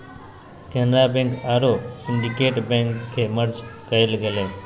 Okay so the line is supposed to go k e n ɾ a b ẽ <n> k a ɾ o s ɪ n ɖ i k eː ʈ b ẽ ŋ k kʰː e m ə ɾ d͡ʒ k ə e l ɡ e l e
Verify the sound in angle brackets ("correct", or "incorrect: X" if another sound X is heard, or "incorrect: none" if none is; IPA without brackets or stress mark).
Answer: incorrect: ŋ